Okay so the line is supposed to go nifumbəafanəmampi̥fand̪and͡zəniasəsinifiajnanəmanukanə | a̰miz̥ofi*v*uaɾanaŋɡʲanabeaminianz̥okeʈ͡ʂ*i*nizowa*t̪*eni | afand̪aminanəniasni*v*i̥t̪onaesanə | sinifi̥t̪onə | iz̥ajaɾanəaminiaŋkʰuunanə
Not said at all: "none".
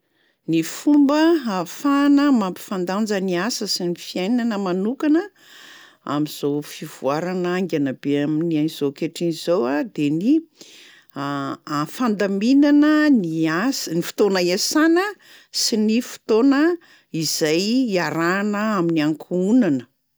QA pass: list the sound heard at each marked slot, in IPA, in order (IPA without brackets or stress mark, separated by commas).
v, i, d̪, f